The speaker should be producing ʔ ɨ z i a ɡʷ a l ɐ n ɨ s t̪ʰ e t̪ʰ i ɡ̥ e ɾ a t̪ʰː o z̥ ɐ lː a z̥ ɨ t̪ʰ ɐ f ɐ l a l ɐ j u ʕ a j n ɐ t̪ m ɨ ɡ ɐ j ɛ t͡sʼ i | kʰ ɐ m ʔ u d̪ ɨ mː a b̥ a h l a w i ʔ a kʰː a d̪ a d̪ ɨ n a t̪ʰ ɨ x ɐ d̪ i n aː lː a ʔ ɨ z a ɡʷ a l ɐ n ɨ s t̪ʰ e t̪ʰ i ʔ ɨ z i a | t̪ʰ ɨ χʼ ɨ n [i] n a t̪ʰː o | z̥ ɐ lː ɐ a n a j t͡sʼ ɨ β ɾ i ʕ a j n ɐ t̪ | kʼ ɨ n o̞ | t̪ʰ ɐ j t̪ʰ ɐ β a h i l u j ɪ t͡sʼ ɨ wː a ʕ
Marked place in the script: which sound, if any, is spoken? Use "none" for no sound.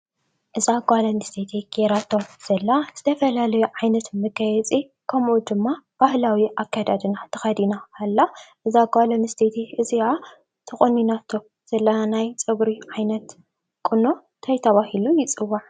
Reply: i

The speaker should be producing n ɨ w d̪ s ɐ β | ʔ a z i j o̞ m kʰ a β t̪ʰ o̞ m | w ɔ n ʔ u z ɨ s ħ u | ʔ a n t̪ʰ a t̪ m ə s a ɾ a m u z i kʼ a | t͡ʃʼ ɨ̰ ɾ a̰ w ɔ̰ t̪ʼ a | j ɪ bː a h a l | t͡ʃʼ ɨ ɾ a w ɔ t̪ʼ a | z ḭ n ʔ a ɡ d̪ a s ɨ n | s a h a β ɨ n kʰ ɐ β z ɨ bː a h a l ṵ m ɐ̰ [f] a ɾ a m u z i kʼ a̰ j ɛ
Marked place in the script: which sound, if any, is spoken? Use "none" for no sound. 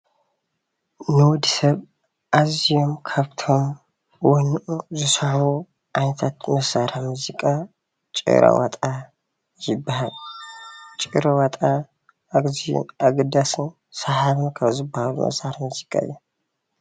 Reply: s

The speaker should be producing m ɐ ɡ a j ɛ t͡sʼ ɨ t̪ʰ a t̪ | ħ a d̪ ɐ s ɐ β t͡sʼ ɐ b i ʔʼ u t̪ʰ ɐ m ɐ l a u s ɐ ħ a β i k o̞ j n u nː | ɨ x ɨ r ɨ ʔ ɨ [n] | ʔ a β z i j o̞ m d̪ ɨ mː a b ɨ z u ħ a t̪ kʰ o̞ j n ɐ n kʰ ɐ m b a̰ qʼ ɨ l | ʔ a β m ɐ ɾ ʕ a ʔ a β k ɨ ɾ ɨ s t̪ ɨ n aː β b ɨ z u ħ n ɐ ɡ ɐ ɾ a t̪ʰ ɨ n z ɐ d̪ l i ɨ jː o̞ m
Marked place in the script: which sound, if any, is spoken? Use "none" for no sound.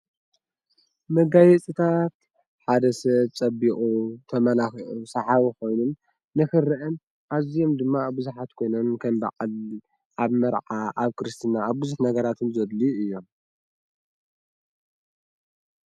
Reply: n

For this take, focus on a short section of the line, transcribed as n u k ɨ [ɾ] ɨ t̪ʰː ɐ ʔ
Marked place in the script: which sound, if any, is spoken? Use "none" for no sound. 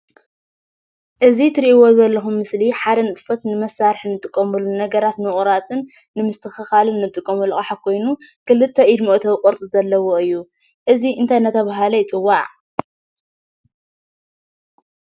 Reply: l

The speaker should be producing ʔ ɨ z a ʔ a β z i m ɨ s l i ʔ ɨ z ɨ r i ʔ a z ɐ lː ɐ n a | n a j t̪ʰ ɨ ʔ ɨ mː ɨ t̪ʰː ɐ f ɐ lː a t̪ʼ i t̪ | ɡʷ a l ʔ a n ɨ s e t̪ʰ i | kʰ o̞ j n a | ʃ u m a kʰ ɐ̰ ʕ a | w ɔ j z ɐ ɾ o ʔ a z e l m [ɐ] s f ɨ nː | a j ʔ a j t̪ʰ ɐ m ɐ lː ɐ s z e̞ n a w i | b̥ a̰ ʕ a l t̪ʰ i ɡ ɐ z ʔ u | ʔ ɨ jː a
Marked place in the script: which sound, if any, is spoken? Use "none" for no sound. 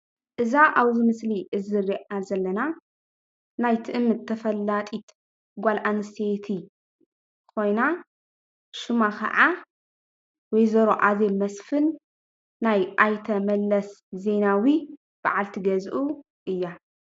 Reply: ɐ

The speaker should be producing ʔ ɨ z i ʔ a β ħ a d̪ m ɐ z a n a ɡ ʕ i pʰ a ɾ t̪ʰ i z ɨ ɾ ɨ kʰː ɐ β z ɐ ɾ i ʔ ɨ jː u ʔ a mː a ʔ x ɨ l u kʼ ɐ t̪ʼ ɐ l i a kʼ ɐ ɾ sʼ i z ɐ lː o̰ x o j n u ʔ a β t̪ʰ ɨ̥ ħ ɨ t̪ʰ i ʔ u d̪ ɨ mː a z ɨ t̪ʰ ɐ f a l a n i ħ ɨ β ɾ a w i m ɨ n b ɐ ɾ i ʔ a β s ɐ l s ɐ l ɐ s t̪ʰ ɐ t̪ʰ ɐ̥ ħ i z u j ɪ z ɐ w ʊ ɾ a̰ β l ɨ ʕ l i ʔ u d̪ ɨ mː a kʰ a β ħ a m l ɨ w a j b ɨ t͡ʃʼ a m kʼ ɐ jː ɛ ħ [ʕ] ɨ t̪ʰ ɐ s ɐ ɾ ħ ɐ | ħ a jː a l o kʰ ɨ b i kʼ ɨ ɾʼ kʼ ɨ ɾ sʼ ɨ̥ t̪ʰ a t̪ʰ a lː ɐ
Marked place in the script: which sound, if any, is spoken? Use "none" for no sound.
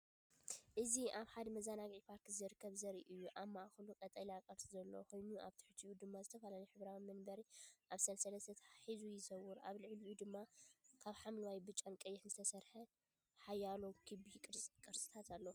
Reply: z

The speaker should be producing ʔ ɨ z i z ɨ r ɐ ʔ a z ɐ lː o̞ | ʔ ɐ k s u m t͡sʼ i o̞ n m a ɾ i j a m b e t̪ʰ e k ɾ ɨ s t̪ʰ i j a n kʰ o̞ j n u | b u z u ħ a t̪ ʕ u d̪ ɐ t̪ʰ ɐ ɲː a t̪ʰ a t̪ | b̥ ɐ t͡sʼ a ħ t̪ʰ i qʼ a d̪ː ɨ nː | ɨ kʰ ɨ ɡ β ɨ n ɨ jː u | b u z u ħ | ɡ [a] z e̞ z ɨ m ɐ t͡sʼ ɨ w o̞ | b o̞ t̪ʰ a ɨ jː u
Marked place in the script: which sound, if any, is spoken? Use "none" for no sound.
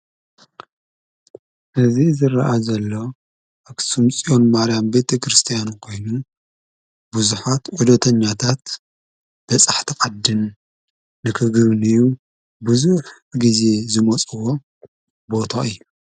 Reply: i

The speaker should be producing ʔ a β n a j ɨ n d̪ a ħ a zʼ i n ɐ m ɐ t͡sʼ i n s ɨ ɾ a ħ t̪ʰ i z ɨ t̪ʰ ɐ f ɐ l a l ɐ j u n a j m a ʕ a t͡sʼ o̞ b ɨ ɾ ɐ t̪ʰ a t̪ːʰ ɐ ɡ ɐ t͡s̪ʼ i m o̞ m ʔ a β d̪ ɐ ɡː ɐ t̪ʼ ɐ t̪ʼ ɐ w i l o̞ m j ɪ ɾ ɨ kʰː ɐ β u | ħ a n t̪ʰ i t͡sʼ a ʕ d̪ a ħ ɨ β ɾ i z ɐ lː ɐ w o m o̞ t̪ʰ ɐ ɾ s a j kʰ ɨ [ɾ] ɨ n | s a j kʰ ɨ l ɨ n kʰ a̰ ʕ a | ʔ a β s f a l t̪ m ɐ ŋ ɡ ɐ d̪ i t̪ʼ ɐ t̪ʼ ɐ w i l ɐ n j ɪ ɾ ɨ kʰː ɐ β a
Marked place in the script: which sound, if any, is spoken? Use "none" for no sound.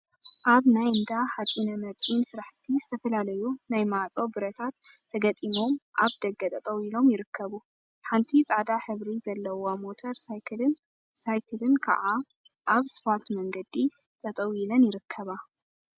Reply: l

